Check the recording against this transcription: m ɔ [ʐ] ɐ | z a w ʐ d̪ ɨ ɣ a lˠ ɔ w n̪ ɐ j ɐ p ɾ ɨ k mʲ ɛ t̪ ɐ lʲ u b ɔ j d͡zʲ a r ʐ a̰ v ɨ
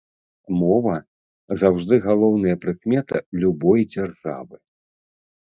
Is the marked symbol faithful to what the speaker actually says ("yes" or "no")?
no